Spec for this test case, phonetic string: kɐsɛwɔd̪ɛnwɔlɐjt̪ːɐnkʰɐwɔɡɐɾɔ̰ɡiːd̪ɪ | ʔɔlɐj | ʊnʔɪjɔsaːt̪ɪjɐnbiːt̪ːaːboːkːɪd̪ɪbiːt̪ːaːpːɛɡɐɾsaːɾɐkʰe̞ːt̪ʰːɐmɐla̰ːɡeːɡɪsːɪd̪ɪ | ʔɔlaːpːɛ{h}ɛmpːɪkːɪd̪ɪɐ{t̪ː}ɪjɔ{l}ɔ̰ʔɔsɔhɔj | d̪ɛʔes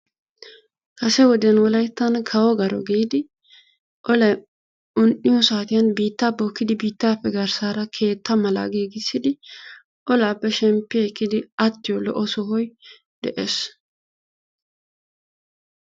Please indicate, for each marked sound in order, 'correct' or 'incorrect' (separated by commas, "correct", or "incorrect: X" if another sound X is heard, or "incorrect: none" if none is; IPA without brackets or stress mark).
incorrect: ʃ, correct, correct